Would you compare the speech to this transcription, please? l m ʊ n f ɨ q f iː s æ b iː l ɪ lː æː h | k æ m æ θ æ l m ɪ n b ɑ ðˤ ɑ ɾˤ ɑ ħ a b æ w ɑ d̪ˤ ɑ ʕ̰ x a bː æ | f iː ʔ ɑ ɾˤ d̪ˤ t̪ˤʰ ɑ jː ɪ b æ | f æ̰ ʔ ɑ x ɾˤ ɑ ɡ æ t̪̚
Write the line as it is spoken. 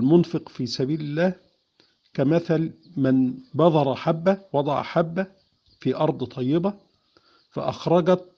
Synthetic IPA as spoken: l m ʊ n f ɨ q f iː s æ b iː l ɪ lː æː h | k æ m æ θ æ l m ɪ n b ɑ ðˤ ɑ ɾˤ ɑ ħ a bː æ w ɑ d̪ˤ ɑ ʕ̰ ħ a bː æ | f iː ʔ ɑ ɾˤ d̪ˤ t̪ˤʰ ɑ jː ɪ b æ | f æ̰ ʔ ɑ x ɾˤ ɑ ɡ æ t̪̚